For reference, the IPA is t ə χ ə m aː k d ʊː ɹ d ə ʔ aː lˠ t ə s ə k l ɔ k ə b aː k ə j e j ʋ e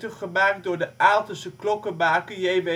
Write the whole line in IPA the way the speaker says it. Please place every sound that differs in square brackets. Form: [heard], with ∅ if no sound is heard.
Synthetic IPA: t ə χ ə m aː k d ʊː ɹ d ə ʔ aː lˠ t ə s ə k l ɔ k ə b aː k ə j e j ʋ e

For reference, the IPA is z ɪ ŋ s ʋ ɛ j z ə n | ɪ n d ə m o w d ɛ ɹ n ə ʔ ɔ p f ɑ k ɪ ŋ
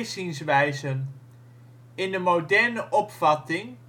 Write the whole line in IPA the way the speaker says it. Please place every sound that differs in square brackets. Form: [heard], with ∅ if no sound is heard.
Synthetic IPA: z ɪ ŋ s ʋ ɛ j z ə n | ɪ n d ə m o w d ɛ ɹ n ə ʔ ɔ p f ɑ [t] ɪ ŋ

